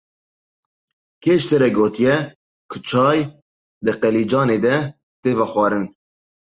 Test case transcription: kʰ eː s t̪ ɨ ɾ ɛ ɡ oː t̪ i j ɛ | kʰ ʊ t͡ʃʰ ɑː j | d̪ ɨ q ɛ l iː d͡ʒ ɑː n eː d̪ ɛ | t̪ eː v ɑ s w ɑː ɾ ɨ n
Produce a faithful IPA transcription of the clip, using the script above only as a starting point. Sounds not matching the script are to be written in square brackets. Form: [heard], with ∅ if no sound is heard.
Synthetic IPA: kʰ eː [ʃ] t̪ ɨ ɾ ɛ ɡ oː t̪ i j ɛ | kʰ ʊ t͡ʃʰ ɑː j | d̪ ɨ q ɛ l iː d͡ʒ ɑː n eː d̪ ɛ | t̪ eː v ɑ [x] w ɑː ɾ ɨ n